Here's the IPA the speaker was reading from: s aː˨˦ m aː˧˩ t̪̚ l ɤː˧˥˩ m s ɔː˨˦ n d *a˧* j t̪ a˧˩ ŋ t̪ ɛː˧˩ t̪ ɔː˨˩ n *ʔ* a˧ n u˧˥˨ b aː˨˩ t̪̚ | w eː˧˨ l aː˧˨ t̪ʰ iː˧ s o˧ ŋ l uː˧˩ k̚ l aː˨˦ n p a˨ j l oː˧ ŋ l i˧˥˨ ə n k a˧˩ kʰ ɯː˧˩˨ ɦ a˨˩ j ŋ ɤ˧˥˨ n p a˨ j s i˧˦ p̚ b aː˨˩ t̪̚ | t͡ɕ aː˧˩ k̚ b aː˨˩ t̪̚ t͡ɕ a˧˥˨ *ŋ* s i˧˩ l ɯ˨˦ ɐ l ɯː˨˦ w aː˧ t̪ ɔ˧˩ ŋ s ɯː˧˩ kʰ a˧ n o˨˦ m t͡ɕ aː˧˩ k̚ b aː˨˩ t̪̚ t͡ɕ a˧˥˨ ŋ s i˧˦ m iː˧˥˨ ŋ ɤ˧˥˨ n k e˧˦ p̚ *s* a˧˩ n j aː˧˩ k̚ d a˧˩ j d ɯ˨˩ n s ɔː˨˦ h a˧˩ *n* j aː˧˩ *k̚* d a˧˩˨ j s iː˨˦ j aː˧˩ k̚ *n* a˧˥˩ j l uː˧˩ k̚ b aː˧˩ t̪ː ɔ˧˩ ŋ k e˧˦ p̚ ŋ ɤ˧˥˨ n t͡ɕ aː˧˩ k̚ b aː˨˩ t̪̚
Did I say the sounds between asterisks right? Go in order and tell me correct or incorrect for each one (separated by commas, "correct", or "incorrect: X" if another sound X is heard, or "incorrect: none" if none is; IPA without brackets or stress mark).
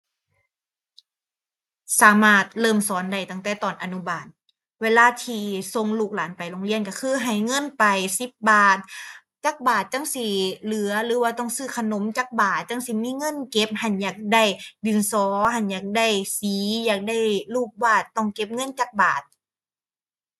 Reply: incorrect: a˧˩, correct, correct, incorrect: h, correct, correct, incorrect: d